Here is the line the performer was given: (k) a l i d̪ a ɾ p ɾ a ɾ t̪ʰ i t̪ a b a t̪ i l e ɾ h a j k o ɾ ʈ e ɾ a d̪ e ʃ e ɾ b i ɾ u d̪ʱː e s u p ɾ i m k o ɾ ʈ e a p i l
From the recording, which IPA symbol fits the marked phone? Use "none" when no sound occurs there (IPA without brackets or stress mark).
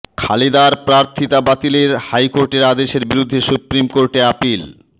kʰ